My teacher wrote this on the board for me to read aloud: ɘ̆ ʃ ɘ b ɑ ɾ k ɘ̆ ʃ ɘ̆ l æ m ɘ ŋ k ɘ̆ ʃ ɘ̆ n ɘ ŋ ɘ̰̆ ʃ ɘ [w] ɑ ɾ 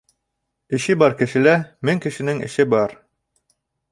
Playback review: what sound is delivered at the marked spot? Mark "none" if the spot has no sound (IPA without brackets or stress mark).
b